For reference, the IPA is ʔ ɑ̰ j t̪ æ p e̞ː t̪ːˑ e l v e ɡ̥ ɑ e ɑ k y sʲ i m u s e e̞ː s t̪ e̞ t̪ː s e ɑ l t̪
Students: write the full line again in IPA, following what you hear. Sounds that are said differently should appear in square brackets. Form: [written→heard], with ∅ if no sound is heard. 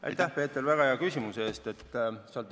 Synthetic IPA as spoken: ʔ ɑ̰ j t̪ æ p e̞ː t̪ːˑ e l v [e→æ] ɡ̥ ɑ e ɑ k y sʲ i m u s e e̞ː s t̪ e̞ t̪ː s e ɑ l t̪